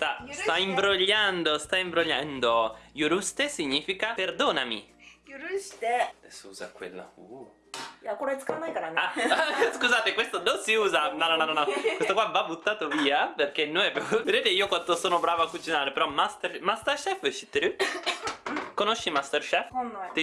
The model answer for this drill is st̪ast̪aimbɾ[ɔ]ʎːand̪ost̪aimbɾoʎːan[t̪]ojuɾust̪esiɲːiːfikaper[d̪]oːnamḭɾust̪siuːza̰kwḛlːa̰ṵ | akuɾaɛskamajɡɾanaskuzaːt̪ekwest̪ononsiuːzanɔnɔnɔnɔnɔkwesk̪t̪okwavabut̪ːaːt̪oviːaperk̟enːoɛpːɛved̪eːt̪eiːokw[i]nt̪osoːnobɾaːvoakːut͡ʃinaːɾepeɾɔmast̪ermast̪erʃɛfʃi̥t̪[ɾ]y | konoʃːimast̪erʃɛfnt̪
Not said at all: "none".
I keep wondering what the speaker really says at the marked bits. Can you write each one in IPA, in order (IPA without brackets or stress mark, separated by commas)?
o, d̪, d̪, a, ɾ